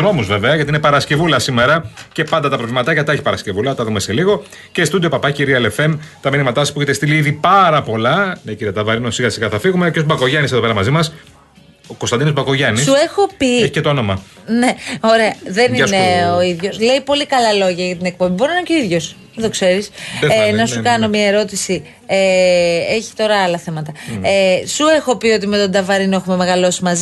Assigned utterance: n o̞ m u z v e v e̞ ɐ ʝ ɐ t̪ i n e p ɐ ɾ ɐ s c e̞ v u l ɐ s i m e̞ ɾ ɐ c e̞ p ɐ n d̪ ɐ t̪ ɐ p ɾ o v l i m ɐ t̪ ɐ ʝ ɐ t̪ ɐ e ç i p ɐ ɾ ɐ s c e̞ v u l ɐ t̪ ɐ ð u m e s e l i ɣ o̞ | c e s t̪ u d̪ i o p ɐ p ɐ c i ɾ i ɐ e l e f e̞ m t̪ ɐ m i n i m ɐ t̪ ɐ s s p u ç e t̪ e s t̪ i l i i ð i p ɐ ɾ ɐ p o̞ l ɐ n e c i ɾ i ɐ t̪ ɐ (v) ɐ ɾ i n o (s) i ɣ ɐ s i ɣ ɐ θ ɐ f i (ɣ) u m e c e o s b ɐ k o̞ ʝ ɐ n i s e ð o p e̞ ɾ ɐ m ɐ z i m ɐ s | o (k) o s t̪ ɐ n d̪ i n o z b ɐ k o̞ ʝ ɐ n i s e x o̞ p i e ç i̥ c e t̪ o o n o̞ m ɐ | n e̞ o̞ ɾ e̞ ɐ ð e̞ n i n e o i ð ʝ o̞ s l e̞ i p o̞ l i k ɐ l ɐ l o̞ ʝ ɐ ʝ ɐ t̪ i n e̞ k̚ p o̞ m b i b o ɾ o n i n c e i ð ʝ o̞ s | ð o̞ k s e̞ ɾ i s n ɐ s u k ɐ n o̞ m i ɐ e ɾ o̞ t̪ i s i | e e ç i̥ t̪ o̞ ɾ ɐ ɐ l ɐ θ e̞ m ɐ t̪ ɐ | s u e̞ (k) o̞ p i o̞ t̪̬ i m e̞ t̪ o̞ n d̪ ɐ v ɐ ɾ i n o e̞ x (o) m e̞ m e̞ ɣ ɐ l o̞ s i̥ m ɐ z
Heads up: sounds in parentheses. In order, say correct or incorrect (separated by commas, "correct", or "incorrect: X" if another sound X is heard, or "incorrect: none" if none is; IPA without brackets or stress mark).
correct, correct, correct, correct, incorrect: x, incorrect: u